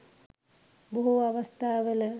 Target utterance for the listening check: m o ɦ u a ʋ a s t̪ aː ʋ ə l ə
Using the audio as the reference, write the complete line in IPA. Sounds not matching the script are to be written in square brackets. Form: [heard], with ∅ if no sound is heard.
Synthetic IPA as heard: [b] o ɦ u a ʋ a s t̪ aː ʋ ə l ə